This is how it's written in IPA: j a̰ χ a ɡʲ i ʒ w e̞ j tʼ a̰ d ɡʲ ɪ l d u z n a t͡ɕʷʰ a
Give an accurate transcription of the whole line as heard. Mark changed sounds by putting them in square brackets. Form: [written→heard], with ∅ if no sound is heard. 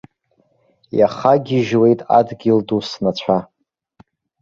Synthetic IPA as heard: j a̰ χ a ɡʲ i ʒ w e̞ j tʼ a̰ d ɡʲ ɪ l d u [z→s] n a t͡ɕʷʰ a